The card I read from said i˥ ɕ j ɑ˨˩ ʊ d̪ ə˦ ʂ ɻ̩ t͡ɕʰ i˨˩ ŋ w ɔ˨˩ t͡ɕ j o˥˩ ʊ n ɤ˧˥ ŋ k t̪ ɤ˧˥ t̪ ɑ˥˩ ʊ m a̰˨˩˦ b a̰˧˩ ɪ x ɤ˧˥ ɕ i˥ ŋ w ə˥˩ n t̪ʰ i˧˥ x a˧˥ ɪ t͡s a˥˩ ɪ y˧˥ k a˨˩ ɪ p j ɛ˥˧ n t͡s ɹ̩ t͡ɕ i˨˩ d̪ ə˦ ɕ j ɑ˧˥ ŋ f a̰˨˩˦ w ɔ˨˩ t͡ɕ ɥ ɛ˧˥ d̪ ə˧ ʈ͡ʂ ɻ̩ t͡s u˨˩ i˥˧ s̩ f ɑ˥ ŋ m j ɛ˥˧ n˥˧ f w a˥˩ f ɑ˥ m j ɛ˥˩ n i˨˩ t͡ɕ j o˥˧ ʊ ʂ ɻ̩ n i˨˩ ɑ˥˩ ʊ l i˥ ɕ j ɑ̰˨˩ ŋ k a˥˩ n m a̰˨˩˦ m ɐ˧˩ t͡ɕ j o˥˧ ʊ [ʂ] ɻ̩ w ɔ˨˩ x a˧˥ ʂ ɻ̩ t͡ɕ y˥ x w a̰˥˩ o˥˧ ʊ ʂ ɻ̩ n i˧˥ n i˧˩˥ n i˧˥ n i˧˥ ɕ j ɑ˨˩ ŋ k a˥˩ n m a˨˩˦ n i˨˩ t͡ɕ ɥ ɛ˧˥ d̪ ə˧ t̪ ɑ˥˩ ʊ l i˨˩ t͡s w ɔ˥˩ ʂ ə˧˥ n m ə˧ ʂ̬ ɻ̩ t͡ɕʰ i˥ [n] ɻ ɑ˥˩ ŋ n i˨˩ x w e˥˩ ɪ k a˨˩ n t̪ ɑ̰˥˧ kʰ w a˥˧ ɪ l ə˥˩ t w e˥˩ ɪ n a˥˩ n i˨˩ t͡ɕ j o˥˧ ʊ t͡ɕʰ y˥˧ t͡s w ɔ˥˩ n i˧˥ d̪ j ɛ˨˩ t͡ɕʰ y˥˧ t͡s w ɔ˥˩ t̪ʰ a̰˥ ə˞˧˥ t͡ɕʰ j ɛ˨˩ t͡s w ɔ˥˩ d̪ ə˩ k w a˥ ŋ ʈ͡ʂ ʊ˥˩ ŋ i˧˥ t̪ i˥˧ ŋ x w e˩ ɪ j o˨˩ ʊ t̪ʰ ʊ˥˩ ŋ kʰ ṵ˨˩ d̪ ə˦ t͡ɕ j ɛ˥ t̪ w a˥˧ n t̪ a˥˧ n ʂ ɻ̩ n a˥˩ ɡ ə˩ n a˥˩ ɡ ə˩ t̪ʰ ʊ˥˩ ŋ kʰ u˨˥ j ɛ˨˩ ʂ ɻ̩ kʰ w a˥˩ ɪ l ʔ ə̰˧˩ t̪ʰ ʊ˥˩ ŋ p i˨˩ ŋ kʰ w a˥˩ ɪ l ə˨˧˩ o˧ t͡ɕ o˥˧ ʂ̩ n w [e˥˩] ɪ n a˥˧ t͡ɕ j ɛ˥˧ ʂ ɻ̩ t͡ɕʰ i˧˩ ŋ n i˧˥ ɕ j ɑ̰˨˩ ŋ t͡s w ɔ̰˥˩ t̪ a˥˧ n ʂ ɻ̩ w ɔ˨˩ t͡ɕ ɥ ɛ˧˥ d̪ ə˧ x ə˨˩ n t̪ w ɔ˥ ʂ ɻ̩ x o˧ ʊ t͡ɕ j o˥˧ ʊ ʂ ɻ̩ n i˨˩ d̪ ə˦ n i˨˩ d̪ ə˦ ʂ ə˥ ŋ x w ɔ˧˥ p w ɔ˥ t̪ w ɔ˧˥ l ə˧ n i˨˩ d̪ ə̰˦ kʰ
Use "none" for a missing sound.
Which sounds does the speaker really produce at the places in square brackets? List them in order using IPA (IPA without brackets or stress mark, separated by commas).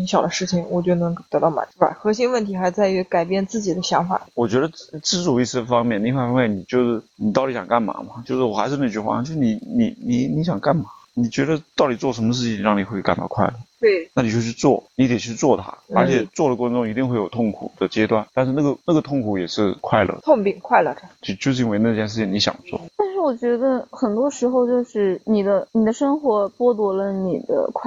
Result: ʂ, ŋ, e˧˥